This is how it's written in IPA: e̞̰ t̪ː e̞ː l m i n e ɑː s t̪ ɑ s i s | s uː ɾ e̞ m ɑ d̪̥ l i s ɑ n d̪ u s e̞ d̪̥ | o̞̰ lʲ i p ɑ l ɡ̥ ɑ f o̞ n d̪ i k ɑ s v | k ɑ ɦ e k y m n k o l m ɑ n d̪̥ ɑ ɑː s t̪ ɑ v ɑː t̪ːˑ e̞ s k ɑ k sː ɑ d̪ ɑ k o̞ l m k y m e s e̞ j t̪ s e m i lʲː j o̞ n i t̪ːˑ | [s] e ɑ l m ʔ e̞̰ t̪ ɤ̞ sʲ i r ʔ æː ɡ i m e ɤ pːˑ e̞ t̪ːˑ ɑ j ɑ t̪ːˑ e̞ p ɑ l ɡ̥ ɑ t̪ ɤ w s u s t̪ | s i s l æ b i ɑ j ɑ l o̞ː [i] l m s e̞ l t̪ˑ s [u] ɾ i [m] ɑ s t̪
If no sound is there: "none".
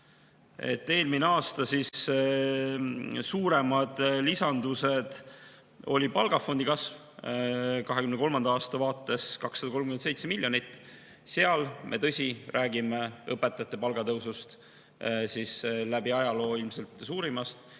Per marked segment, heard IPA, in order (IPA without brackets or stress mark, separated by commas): s, i, uː, m